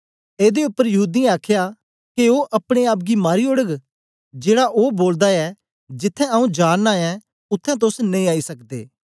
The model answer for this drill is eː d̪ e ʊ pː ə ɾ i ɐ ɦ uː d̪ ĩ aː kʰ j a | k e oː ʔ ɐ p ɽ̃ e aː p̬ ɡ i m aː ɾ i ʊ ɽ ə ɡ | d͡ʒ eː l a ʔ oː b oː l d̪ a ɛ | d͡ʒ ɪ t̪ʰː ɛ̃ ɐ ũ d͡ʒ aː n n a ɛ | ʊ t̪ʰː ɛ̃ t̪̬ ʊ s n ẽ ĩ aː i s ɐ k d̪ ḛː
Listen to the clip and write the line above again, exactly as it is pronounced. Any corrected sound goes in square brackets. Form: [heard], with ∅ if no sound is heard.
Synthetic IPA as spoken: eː d̪ e ʊ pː ə ɾ [j] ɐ ɦ uː d̪ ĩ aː kʰ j a | k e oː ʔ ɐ p ɽ̃ e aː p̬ ɡ i m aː ɾ i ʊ ɽ ə ɡ | d͡ʒ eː [ɽ] a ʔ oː b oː l d̪ a ɛ | d͡ʒ ɪ t̪ʰː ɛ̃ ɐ ũ d͡ʒ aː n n a ɛ | ʊ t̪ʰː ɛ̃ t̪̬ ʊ s n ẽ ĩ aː i s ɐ k d̪ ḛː

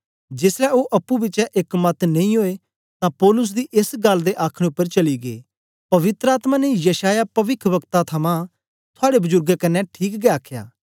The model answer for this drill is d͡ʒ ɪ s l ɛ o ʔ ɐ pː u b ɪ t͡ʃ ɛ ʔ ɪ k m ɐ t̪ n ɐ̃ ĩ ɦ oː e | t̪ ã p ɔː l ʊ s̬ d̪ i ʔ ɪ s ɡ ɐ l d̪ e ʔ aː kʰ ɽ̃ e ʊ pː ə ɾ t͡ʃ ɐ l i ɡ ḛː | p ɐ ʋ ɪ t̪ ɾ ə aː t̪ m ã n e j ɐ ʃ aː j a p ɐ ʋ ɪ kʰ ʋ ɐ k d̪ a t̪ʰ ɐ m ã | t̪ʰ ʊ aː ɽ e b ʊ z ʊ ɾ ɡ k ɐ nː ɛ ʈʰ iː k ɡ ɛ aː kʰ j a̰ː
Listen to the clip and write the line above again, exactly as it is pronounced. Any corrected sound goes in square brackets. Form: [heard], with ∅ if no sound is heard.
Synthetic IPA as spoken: d͡ʒ ɪ s l ɛ o ʔ ɐ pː u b ɪ t͡ʃ ɛ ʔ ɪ k m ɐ t̪ n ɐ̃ ĩ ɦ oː e | t̪ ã p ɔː l ʊ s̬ d̪ i ʔ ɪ s ɡ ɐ l d̪ e ʔ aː kʰ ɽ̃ e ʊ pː ə ɾ t͡ʃ ɐ l i ɡ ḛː | p ɐ ʋ ɪ t̪ ɾ ə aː t̪ m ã n e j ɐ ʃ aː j a p ɐ ʋ ɪ kʰ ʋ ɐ k [t̪] a t̪ʰ ɐ m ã | t̪ʰ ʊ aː ɽ e b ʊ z ʊ ɾ ɡ k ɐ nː ɛ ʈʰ iː k ɡ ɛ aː kʰ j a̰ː

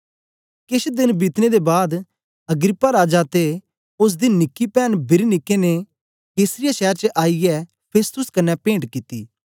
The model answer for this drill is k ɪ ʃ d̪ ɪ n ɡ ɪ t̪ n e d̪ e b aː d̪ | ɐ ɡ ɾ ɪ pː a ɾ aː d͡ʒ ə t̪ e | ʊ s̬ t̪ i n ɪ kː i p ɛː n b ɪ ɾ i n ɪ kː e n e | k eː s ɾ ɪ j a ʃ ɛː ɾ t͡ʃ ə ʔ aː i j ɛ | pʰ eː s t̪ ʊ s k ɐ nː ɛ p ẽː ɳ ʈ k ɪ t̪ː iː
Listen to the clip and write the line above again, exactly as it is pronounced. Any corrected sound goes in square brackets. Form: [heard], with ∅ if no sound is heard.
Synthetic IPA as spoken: k ɪ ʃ d̪ ɪ n [b] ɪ t̪ n e d̪ e b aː d̪ | ɐ ɡ ɾ ɪ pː a ɾ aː d͡ʒ [a] t̪ e | ʊ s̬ [d̪] i n ɪ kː i p ɛː n b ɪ ɾ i n ɪ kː e n e | k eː s ɾ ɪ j a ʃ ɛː ɾ t͡ʃ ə ʔ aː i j ɛ | pʰ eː s t̪ ʊ s k ɐ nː ɛ p ẽː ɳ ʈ k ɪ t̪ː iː

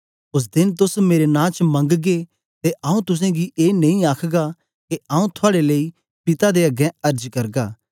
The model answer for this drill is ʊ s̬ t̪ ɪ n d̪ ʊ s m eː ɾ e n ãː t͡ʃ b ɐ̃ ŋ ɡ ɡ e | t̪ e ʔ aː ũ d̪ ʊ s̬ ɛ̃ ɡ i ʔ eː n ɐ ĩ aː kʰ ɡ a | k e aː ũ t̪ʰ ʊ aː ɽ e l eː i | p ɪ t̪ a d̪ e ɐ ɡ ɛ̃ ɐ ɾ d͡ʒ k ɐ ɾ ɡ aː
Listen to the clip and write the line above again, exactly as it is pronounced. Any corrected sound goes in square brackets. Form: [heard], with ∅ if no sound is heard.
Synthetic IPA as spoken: ʊ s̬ [d̪] ɪ n [t̪] ʊ s m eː ɾ e n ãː t͡ʃ [m] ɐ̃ ŋ ɡ ɡ e | t̪ e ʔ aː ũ [t̪] ʊ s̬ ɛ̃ ɡ i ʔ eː n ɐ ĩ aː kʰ ɡ a | k e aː ũ t̪ʰ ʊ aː ɽ e l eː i | p ɪ t̪ a d̪ e ɐ ɡ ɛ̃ ɐ ɾ d͡ʒ k ɐ ɾ ɡ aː

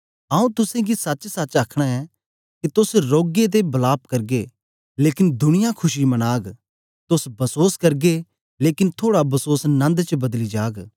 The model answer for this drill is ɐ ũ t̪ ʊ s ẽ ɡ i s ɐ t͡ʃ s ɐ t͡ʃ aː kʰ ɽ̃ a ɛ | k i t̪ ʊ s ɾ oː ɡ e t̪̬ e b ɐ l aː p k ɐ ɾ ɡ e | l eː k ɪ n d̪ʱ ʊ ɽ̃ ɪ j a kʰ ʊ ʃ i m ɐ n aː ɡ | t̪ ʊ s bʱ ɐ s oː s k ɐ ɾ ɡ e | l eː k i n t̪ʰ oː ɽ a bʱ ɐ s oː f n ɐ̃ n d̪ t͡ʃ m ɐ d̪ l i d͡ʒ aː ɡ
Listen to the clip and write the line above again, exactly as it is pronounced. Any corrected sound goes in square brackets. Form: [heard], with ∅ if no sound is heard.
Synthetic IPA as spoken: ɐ ũ t̪ ʊ s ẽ ɡ i s ɐ t͡ʃ s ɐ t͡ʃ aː kʰ ɽ̃ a ɛ | k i t̪ ʊ s ɾ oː ɡ e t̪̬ e b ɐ l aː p k ɐ ɾ ɡ e | l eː k ɪ n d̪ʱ ʊ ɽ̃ ɪ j a kʰ ʊ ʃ i m ɐ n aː ɡ | t̪ ʊ s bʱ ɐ s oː s k ɐ ɾ ɡ e | l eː k [ɪ] n t̪ʰ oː ɽ a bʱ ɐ s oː [s] n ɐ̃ n d̪ t͡ʃ [b] ɐ d̪ l i d͡ʒ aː ɡ

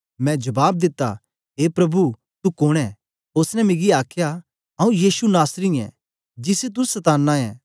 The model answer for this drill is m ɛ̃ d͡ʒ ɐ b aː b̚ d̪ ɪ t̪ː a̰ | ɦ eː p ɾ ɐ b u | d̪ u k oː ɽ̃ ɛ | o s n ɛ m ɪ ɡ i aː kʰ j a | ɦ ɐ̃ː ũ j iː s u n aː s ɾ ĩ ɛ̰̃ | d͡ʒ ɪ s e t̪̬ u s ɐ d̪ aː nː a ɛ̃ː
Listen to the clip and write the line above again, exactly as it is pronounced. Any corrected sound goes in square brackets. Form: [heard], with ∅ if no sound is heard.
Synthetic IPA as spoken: m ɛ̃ d͡ʒ ɐ b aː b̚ d̪ ɪ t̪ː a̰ | ɦ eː p ɾ ɐ b u | [t̪] u k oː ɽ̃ ɛ | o s n ɛ m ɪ ɡ i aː kʰ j a | ɦ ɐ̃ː ũ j iː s u n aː s ɾ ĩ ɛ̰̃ | d͡ʒ ɪ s e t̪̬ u s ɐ [t̪] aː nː a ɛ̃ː

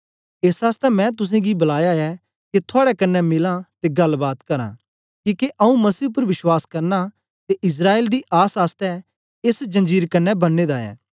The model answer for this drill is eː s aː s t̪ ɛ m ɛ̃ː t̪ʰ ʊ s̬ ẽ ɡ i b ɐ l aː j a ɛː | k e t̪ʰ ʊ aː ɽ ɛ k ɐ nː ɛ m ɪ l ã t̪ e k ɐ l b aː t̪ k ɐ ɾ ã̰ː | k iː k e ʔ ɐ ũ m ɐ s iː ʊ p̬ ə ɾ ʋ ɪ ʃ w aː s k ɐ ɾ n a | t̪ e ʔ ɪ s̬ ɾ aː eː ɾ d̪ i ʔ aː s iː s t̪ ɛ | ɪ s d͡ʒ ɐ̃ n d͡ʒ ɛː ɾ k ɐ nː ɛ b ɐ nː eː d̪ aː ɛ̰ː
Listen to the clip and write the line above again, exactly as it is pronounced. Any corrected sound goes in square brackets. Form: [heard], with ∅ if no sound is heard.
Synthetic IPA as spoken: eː s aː s t̪ ɛ m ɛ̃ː [t̪] ʊ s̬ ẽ ɡ i b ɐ l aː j a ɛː | k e t̪ʰ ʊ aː ɽ ɛ k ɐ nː ɛ m ɪ l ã t̪ e [ɡ] ɐ l b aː t̪ k ɐ ɾ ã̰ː | k iː k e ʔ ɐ ũ m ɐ s iː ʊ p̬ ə ɾ ʋ ɪ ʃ w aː s k ɐ ɾ n a | t̪ e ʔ ɪ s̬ ɾ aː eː [l] d̪ i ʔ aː s [aː] s t̪ ɛ | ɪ s d͡ʒ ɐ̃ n d͡ʒ [iː] ɾ k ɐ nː ɛ b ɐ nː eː d̪ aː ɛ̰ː

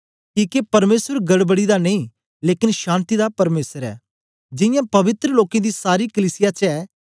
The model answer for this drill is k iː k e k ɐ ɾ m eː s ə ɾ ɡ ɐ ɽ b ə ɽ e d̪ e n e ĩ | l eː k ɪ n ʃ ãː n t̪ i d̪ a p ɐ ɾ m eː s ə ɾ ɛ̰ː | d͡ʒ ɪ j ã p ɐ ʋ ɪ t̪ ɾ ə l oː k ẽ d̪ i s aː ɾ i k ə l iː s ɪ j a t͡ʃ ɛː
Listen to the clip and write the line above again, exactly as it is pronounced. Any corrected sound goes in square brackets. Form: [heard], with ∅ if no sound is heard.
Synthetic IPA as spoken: k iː k e [p] ɐ ɾ m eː s ə ɾ ɡ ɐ ɽ b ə ɽ [i] d̪ [a] n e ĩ | l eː k ɪ n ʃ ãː n t̪ i d̪ a p ɐ ɾ m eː s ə ɾ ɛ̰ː | d͡ʒ ɪ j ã p ɐ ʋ ɪ t̪ ɾ ə l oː k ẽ d̪ i s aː ɾ i k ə l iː s ɪ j a t͡ʃ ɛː

